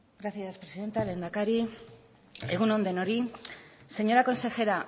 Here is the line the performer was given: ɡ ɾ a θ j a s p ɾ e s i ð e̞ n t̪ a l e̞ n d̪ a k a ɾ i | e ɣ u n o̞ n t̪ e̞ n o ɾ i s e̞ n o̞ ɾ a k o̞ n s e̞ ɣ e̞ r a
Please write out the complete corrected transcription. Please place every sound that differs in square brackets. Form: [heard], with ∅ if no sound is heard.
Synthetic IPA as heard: ɡ ɾ a θ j a s p ɾ e s i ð e̞ n t̪ a l e̞ n d̪ a k a ɾ i | e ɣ u n o̞ n [d̪] e̞ n o ɾ i s e̞ [ɲ] o̞ ɾ a k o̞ n s e̞ [x] e̞ [ɾ] a